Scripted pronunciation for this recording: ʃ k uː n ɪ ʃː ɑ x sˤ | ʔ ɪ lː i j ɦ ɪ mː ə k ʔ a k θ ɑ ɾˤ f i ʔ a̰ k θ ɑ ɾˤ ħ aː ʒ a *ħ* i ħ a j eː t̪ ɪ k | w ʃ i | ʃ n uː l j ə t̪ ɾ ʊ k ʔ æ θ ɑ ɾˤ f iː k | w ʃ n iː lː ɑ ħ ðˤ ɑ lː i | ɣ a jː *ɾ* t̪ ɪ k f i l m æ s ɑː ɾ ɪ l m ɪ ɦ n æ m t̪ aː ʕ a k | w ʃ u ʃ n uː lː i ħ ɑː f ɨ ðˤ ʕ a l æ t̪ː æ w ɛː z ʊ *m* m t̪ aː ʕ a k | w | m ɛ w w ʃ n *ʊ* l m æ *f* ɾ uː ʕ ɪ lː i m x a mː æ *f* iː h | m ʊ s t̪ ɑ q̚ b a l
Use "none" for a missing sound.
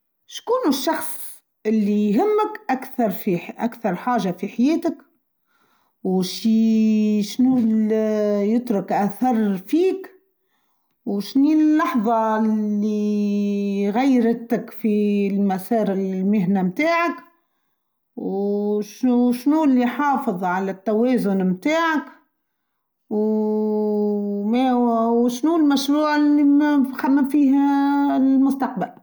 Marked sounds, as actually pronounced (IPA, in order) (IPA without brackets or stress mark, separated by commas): f, ɾ, n, u, ʃ, f